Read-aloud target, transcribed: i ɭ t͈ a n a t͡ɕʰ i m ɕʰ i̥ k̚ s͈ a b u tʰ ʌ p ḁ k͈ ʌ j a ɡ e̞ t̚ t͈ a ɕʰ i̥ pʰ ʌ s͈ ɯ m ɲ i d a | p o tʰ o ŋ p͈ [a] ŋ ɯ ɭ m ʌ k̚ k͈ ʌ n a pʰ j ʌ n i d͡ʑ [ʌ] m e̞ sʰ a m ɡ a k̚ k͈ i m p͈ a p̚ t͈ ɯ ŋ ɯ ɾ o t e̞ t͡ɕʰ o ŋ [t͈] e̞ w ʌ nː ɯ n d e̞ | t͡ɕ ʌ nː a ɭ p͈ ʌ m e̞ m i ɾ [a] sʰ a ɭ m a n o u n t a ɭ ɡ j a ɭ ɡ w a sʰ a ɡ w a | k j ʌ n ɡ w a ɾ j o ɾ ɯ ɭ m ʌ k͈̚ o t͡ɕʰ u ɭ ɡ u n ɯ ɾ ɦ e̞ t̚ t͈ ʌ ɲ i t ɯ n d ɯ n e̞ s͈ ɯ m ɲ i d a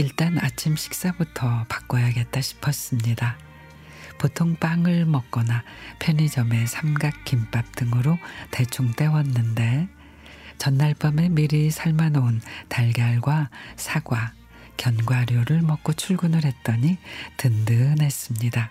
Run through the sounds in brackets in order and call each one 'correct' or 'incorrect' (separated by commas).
correct, correct, correct, incorrect